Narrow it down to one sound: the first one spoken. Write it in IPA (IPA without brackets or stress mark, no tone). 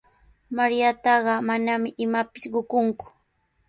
m